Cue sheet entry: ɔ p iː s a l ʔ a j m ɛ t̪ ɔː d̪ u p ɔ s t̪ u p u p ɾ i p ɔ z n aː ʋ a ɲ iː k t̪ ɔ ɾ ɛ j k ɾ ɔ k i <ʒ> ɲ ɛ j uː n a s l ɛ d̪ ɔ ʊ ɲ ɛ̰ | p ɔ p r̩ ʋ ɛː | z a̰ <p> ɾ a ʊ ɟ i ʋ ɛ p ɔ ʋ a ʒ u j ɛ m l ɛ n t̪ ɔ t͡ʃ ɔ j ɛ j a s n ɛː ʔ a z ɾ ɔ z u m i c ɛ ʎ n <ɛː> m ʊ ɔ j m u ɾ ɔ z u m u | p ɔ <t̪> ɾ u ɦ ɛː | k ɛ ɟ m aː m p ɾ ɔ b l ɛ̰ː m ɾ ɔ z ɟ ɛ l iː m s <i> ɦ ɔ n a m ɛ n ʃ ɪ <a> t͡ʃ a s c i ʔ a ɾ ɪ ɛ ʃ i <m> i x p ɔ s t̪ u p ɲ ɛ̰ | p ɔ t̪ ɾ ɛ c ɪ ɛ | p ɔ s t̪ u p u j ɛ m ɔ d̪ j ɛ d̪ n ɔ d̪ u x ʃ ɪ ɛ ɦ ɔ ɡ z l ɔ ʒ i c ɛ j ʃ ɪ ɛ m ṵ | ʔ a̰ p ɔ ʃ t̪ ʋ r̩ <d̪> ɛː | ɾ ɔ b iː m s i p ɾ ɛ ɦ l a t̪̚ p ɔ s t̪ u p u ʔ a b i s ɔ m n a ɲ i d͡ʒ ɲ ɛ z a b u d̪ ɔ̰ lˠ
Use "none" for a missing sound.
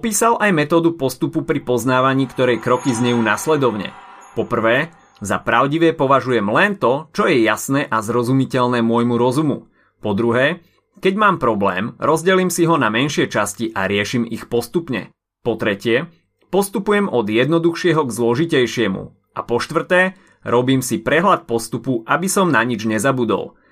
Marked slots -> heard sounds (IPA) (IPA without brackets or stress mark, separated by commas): z, p, ɛː, d̪, i, ɛ, m, t̪